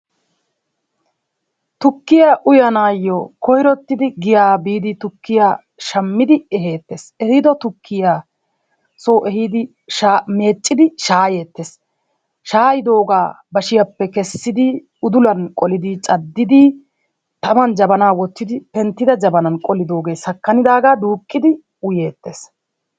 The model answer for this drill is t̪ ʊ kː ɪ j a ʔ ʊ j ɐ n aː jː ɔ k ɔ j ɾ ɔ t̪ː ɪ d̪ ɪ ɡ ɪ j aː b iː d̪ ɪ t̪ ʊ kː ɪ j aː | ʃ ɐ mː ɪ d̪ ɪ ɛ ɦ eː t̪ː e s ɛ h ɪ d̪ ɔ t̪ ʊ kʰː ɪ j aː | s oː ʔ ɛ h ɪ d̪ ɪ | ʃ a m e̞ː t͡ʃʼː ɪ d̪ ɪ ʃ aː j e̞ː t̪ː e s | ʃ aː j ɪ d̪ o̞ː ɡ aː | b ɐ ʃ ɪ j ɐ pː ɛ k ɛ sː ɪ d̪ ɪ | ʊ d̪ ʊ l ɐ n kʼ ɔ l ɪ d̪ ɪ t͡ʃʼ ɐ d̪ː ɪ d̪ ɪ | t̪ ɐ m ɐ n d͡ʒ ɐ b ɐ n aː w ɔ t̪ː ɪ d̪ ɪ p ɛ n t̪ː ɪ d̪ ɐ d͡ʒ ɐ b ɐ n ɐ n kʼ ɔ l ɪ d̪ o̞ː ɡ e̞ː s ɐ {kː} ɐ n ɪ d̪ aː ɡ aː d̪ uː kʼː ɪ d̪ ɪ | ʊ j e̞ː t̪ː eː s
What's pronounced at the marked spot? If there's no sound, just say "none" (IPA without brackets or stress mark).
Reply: kː